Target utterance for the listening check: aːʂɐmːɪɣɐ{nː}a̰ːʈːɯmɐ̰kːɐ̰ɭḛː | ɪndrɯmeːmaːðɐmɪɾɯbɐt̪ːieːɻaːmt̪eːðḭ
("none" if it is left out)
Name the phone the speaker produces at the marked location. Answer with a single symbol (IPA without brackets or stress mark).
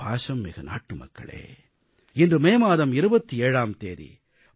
n